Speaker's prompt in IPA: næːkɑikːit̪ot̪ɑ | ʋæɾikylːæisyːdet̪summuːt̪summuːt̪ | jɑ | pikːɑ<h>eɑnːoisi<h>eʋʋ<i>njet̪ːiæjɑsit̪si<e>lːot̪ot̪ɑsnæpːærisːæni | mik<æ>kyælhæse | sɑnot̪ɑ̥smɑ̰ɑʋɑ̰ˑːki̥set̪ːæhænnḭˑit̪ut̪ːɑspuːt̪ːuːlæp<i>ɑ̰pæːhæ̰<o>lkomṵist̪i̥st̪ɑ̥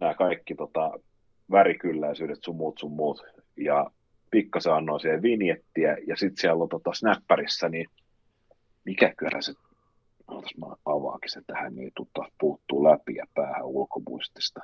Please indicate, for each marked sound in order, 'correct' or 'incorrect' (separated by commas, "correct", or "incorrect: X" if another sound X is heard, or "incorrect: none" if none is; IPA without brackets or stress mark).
incorrect: s, correct, correct, incorrect: æ, correct, correct, incorrect: u